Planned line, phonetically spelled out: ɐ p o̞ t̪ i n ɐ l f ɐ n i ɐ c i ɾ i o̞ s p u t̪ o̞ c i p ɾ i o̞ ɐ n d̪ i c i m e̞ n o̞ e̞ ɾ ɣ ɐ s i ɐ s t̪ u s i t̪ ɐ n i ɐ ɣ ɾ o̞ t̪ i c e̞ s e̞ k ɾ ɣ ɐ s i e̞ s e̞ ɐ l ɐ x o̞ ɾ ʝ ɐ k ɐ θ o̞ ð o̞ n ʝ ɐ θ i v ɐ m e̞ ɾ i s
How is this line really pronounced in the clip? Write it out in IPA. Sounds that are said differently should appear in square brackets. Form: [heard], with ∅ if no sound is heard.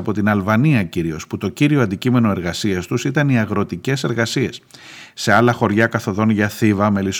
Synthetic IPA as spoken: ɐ p o̞ t̪ i n ɐ l [v] ɐ n i ɐ c i ɾ i o̞ s p u t̪ o̞ c i [∅] ɾ i o̞ ɐ n d̪ i c i m e̞ n o̞ e̞ ɾ ɣ ɐ s i ɐ s t̪ u s i t̪ ɐ n i ɐ ɣ ɾ o̞ t̪ i c e̞ s e̞ [∅] ɾ ɣ ɐ s i e̞ [sː] e̞ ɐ l ɐ x o̞ ɾ ʝ ɐ k ɐ θ o̞ ð o̞ n ʝ ɐ θ i v ɐ m e̞ [l] i s